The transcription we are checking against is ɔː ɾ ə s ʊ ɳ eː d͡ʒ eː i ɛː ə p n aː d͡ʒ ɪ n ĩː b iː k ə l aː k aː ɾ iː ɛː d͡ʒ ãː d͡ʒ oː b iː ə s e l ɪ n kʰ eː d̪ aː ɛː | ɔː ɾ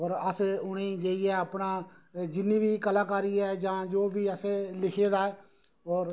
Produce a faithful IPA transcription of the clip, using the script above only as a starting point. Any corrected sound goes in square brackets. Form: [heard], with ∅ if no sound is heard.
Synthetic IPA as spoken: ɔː ɾ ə s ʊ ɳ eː d͡ʒ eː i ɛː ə p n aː d͡ʒ ɪ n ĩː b iː k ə l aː k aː ɾ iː ɛː d͡ʒ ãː d͡ʒ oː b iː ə s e l ɪ [∅] kʰ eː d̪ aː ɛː | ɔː ɾ